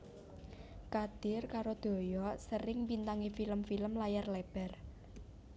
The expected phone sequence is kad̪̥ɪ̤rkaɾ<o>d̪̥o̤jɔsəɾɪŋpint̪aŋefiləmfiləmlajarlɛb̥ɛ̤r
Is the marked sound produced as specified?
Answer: yes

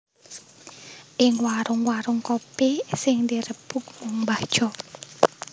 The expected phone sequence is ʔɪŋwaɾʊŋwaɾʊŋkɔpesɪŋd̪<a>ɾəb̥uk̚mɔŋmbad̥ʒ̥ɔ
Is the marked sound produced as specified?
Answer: no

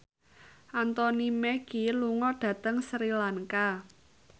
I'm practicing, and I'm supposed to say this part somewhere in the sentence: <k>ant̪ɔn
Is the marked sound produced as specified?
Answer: no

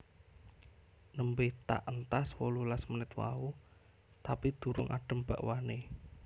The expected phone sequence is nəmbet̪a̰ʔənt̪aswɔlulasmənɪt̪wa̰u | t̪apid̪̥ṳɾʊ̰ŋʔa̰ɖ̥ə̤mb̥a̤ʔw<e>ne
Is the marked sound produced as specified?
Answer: no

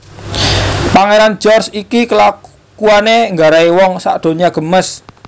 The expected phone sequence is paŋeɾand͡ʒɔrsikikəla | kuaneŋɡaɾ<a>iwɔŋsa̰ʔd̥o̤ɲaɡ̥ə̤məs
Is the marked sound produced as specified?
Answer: yes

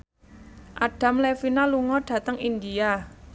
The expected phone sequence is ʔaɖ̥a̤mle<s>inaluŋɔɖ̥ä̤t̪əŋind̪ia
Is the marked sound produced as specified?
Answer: no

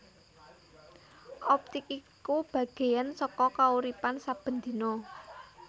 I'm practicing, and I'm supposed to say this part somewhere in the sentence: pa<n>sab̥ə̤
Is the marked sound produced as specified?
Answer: yes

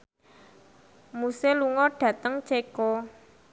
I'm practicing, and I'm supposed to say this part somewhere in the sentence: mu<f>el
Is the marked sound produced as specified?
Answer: no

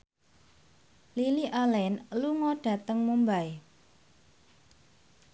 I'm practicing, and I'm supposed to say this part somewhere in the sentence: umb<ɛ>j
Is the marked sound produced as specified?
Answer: no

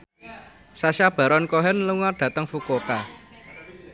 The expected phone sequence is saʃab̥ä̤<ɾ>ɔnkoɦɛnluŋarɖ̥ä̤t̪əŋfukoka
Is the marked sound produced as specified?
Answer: yes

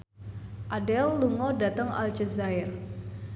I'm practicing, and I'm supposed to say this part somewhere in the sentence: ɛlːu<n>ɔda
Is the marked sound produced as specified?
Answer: no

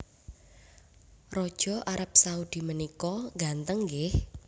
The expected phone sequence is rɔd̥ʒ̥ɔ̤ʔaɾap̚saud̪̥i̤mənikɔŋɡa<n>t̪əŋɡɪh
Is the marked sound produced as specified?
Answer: yes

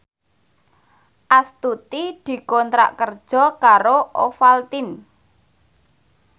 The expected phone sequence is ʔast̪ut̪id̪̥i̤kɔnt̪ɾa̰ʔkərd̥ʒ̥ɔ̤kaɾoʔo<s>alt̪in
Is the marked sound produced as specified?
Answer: no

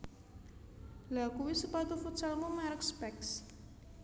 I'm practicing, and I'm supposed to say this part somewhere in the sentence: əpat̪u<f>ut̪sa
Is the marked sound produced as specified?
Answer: yes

